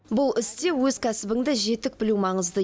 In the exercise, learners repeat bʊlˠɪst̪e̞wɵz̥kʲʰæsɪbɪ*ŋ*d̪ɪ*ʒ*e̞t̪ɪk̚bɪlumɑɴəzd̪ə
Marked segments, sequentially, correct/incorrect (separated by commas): correct, correct